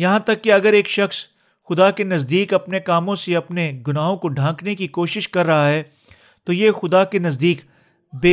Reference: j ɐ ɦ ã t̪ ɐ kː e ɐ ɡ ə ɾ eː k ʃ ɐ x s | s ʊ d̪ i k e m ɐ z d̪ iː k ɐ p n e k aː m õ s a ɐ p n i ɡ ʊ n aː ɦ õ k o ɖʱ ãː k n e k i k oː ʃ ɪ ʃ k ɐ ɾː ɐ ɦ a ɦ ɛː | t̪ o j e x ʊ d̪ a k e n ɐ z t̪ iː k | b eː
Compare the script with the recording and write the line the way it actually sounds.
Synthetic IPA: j ɐ ɦ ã t̪ ɐ kː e ɐ ɡ ə ɾ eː k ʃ ɐ x s | x ʊ d̪ a k e n ɐ z d̪ iː k ɐ p n e k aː m õ s e ɐ p n e ɡ ʊ n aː ɦ õ k o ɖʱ ãː k n e k i k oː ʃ ɪ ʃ k ɐ ɾː ɐ ɦ a ɦ ɛː | t̪ o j e x ʊ d̪ a k e n ɐ z d̪ iː k | b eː